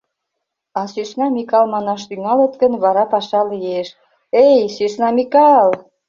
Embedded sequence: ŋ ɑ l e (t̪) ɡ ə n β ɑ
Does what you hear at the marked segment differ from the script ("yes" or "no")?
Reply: no